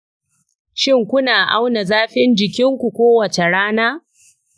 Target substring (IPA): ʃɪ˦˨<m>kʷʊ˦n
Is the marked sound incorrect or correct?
incorrect